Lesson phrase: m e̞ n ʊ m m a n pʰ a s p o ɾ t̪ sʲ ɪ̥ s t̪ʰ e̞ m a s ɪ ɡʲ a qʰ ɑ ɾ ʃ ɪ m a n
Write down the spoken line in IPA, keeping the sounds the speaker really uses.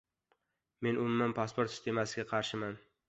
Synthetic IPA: m e̞ n ʊ m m a n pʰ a s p o ɾ t̪ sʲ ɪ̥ s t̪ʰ e̞ m a s ɪ ɡʲ a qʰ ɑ ɾ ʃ ɪ m a n